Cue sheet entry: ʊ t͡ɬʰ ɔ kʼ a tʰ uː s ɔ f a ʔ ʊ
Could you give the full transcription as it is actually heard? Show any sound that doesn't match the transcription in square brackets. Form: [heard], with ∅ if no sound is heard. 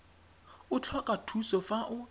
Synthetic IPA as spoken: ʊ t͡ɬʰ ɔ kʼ a tʰ [u] s ɔ f a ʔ ʊ